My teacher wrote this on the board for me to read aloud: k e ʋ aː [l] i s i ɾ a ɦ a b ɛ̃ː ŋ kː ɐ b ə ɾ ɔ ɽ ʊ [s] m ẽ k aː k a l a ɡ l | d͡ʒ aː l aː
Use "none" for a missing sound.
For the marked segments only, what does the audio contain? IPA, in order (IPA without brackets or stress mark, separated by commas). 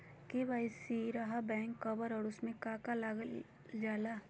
none, s